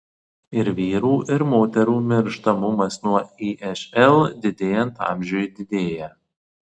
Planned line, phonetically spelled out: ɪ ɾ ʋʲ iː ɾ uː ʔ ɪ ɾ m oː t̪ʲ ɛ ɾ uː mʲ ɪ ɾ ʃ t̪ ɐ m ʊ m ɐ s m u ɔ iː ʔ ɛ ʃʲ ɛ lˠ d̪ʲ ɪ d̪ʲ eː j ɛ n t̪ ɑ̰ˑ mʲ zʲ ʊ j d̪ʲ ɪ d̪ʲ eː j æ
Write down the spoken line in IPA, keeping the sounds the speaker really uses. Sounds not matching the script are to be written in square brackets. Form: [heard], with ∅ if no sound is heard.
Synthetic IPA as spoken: ɪ ɾ ʋʲ iː ɾ uː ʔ ɪ ɾ m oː t̪ʲ ɛ ɾ uː mʲ ɪ ɾ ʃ t̪ ɐ m ʊ m ɐ s [n] u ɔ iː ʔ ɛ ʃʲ ɛ lˠ d̪ʲ ɪ d̪ʲ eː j ɛ n t̪ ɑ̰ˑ mʲ [ʒʲ] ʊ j d̪ʲ ɪ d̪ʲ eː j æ

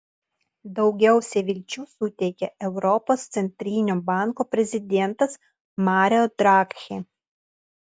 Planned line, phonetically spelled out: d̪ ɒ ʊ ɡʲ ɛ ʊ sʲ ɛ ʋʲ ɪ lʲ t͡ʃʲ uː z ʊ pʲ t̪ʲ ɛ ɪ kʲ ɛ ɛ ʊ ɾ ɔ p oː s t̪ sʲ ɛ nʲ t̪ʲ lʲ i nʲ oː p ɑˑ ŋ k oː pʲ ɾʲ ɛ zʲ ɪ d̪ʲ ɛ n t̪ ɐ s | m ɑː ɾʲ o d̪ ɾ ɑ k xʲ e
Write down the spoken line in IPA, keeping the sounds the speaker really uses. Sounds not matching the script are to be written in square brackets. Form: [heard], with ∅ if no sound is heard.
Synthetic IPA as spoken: d̪ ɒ ʊ ɡʲ ɛ ʊ sʲ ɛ ʋʲ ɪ lʲ t͡ʃʲ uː [s] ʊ [∅] t̪ʲ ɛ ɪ kʲ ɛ ɛ ʊ ɾ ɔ p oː s t̪ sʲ ɛ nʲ t̪ʲ [ɾʲ] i nʲ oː [b] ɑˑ ŋ k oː pʲ ɾʲ ɛ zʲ ɪ d̪ʲ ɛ n t̪ ɐ s | m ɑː ɾʲ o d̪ ɾ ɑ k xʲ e

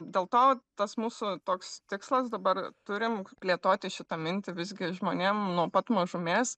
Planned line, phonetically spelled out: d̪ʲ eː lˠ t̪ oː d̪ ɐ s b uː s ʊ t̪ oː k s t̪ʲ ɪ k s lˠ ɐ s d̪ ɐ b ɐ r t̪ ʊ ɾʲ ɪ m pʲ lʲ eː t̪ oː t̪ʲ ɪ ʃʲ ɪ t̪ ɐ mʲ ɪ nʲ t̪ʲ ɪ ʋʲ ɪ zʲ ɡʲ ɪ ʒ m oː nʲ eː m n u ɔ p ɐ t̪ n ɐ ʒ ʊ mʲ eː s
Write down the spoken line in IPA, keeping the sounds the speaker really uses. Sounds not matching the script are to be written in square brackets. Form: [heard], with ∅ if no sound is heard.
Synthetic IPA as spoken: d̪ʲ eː lˠ t̪ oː [t̪] ɐ s [m] uː s ʊ t̪ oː k s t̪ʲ ɪ k s lˠ ɐ s d̪ ɐ b ɐ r t̪ ʊ ɾʲ ɪ m pʲ lʲ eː t̪ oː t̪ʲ ɪ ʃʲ ɪ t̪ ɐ mʲ ɪ nʲ t̪ʲ ɪ ʋʲ ɪ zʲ ɡʲ ɪ ʒ m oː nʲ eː m n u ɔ p ɐ t̪ [m] ɐ ʒ ʊ mʲ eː s

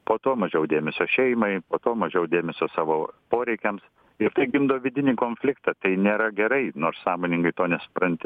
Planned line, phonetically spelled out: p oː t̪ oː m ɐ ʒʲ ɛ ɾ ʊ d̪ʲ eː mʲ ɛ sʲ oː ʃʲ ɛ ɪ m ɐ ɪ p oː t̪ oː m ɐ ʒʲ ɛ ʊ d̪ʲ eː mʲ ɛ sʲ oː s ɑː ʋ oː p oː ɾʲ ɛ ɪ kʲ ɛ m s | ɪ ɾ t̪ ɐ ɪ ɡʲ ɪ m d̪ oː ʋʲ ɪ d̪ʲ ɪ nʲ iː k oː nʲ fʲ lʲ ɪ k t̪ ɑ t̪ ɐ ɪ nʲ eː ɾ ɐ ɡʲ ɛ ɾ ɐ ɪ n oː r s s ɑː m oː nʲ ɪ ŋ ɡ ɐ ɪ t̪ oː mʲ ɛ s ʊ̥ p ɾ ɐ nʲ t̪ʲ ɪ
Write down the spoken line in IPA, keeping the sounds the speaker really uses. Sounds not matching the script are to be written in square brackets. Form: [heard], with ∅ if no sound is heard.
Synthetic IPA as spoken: p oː t̪ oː m ɐ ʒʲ ɛ [∅] ʊ d̪ʲ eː mʲ ɛ sʲ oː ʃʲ ɛ ɪ m ɐ ɪ p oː t̪ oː m ɐ ʒʲ ɛ ʊ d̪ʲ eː mʲ ɛ sʲ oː s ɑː ʋ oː p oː ɾʲ ɛ ɪ kʲ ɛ m s | ɪ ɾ t̪ ɐ ɪ ɡʲ ɪ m d̪ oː ʋʲ ɪ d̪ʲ ɪ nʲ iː k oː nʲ fʲ lʲ ɪ k t̪ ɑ t̪ ɐ ɪ nʲ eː ɾ ɐ ɡʲ ɛ ɾ ɐ ɪ n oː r s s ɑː m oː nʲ ɪ ŋ ɡ ɐ ɪ t̪ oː [nʲ] ɛ s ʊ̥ p ɾ ɐ nʲ t̪ʲ ɪ

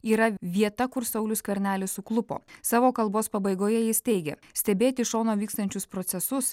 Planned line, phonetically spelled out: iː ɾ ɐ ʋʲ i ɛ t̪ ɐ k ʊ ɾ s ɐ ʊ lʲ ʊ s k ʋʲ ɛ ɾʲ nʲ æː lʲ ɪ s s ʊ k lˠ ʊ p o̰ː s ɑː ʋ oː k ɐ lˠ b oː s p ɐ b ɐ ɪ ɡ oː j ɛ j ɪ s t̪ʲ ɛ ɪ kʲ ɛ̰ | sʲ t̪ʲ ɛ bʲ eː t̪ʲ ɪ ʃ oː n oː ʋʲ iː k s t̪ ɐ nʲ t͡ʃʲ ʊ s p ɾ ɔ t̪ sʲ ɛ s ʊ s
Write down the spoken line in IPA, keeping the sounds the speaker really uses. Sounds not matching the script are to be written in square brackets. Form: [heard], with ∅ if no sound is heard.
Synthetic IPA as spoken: iː ɾ ɐ ʋʲ i ɛ t̪ ɐ k ʊ ɾ s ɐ ʊ lʲ ʊ s k ʋʲ ɛ ɾʲ nʲ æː lʲ ɪ s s ʊ k lˠ ʊ p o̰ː s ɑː ʋ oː k ɐ lˠ b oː s p ɐ b ɐ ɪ ɡ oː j ɛ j ɪ s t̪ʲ ɛ ɪ [ɡʲ] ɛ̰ | sʲ t̪ʲ ɛ bʲ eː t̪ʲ ɪ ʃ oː n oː ʋʲ iː k s t̪ ɐ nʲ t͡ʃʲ ʊ s p ɾ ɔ t̪ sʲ ɛ s ʊ s

